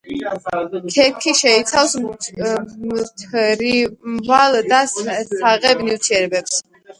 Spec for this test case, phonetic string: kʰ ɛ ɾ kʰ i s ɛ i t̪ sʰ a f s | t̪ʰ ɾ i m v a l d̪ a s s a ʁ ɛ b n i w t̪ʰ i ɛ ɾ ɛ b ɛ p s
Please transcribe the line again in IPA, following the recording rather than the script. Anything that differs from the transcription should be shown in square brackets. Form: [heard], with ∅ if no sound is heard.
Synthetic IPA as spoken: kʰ ɛ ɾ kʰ i [ʃ] ɛ i t̪ sʰ a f s | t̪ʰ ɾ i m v a l d̪ a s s a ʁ ɛ b n i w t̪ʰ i ɛ ɾ ɛ b ɛ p s